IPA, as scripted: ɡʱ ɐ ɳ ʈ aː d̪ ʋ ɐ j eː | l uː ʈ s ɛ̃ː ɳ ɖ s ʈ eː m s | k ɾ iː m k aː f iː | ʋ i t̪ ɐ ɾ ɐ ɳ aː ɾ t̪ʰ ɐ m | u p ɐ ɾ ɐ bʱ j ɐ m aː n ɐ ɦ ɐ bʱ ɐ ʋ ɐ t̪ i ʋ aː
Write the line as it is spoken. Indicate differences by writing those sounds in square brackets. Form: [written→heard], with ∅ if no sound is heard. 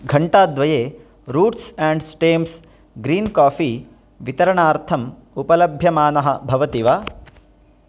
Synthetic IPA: ɡʱ ɐ ɳ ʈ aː d̪ ʋ ɐ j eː | [l→ɾ] uː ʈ s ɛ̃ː ɳ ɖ s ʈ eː m s | [k→ɡ] ɾ iː [m→n] k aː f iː | ʋ i t̪ ɐ ɾ ɐ ɳ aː ɾ t̪ʰ ɐ m | u p ɐ [ɾ→l] ɐ bʱ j ɐ m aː n ɐ ɦ ɐ bʱ ɐ ʋ ɐ t̪ i ʋ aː